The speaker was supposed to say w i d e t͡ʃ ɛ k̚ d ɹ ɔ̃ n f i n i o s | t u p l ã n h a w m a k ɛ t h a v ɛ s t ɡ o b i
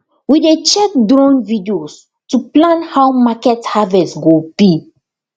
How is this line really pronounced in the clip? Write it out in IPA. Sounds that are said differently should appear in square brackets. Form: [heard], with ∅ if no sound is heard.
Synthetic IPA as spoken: w i d e t͡ʃ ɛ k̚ d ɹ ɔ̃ n [v] i [d] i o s | t u p l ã n h a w m a k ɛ t h a v ɛ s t ɡ o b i